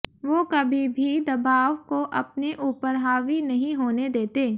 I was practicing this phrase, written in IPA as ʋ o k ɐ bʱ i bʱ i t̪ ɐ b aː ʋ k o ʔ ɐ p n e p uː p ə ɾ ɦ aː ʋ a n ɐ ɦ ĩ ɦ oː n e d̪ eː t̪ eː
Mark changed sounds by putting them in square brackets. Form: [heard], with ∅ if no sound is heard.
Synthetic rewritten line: ʋ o k ɐ bʱ i bʱ i [d̪] ɐ b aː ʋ k o ʔ ɐ p n e [ʔ] uː p ə ɾ ɦ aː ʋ [i] n ɐ ɦ ĩ ɦ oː n e d̪ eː t̪ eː